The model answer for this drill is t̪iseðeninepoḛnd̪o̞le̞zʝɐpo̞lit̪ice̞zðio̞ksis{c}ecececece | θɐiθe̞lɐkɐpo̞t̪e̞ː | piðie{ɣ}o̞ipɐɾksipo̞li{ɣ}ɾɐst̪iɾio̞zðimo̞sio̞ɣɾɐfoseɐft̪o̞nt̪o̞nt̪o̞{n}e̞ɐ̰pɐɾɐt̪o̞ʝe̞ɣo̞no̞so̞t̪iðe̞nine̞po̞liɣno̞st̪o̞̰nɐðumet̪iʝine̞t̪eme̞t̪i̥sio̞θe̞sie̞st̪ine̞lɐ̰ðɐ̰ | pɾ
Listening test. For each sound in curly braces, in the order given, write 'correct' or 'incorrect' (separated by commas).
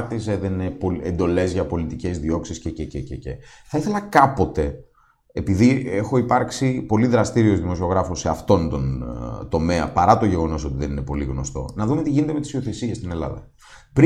correct, incorrect, incorrect, incorrect